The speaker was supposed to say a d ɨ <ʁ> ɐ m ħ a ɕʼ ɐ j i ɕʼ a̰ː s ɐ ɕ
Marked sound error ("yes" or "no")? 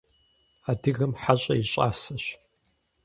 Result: yes